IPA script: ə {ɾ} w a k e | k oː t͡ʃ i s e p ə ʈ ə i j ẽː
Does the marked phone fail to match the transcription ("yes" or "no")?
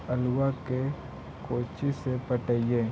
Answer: yes